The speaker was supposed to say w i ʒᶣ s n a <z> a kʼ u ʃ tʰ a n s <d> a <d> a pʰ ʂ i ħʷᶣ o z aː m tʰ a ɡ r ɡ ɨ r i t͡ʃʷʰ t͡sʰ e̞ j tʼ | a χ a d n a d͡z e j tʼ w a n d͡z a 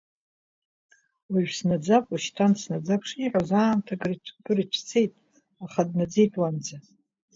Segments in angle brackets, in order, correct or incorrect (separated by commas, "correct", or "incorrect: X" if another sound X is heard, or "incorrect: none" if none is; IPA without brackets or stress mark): incorrect: d͡z, incorrect: n, incorrect: d͡z